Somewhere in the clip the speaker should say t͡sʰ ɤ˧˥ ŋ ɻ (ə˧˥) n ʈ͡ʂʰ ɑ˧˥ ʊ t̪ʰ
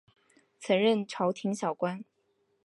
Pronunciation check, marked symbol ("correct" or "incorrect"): incorrect